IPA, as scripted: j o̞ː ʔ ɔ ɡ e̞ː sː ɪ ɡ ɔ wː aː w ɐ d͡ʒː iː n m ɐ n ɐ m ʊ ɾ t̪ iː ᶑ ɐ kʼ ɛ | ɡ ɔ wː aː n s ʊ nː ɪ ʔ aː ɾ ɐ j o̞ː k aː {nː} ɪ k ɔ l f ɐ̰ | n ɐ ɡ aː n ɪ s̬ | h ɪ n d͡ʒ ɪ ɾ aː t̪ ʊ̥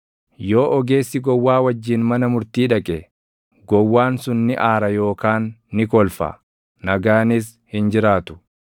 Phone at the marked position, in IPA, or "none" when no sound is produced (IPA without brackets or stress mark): nː